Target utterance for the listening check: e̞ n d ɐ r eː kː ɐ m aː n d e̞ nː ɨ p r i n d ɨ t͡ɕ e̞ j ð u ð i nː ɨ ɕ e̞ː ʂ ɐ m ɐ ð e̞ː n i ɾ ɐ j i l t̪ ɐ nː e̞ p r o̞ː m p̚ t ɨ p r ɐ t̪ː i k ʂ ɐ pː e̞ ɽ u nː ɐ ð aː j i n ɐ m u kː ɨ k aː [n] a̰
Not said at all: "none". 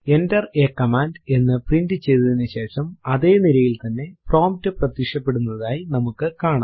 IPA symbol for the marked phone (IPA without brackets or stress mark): ɳ